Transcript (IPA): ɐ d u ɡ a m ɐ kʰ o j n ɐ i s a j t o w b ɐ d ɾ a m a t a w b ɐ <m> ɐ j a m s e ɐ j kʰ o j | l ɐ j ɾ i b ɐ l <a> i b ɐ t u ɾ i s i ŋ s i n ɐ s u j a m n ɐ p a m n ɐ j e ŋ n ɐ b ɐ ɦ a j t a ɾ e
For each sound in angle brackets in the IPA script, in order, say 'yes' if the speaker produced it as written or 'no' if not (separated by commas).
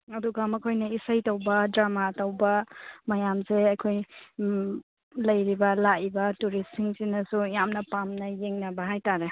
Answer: yes, yes